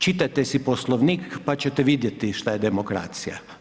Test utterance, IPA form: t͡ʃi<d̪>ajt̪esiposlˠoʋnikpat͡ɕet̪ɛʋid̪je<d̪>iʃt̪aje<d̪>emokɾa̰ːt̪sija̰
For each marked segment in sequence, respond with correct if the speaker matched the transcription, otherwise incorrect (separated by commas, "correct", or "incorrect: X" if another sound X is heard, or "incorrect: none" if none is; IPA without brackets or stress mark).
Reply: incorrect: t̪, incorrect: t̪, correct